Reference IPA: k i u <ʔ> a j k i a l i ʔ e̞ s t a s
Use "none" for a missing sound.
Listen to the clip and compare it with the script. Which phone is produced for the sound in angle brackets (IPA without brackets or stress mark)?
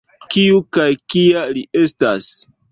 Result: k